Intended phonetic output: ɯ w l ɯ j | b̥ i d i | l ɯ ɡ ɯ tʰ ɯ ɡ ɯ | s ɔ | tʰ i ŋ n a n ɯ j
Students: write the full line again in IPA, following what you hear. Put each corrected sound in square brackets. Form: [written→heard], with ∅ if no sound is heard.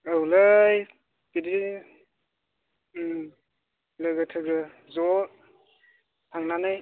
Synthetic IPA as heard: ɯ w l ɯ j | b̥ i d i | l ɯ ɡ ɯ tʰ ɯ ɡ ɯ | [s→z] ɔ | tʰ [i→a] ŋ n a n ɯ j